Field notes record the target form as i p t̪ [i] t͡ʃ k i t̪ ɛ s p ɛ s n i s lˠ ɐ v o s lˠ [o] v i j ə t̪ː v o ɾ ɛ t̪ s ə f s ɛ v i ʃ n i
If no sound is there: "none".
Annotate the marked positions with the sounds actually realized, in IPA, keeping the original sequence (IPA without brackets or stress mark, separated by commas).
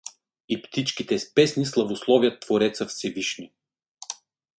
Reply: i, ɔ